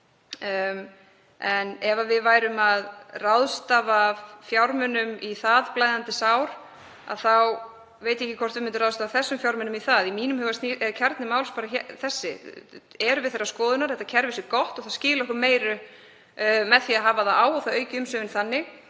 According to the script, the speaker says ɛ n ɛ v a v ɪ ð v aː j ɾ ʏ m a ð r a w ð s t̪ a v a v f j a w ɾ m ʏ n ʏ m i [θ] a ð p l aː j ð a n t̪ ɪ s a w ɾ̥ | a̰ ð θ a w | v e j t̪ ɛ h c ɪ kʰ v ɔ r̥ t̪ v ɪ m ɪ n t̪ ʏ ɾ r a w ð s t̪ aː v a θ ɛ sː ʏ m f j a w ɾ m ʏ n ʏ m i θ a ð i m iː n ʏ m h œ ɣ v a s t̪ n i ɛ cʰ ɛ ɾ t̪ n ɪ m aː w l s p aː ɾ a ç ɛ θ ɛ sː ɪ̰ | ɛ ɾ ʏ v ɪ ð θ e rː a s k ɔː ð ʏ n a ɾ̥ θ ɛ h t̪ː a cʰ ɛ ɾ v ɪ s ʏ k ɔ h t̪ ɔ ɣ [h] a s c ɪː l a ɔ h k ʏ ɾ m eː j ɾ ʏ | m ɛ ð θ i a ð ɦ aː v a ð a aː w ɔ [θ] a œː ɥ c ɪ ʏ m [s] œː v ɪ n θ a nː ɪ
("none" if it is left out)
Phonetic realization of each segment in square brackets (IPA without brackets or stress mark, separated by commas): θ, θ, θ, s